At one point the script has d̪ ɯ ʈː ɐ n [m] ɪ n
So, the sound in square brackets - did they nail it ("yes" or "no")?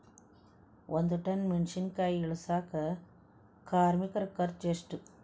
yes